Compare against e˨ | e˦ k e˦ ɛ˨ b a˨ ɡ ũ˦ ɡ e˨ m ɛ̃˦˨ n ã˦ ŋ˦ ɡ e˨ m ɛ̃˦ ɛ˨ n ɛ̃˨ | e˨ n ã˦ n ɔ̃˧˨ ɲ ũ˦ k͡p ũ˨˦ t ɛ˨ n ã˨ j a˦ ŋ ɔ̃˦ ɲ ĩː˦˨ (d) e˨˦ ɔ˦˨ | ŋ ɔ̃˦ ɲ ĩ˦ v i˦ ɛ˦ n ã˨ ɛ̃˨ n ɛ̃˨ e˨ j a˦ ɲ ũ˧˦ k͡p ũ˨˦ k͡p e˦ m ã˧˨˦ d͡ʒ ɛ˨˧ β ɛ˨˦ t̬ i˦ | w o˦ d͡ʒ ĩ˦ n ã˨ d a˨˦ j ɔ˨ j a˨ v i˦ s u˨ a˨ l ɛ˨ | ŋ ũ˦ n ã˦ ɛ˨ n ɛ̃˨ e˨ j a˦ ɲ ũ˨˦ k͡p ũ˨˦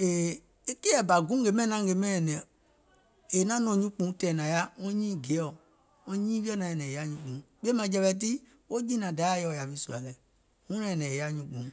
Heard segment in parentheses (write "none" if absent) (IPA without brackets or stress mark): ɡ